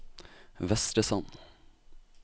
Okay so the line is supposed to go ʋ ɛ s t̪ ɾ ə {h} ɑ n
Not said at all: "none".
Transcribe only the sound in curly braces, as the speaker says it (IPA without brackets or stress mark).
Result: s